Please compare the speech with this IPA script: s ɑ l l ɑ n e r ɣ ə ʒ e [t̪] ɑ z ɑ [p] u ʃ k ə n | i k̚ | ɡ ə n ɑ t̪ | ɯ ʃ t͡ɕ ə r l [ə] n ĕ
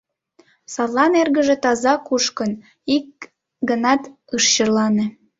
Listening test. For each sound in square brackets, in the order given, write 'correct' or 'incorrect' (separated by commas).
correct, incorrect, incorrect